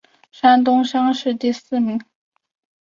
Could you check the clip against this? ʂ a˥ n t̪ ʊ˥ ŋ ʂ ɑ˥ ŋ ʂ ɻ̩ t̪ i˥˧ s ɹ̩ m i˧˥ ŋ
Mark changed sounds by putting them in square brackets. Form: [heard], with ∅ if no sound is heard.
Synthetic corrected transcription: ʂ a˥ n t̪ ʊ˥ ŋ ʂ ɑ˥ ŋ ʂ ɻ̩ t̪ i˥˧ s ɹ̩ m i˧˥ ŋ